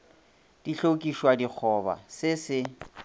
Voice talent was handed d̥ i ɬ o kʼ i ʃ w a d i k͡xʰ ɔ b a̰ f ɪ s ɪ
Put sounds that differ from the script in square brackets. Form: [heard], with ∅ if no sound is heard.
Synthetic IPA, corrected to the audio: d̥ i ɬ o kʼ i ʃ w a d i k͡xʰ ɔ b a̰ [s] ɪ s ɪ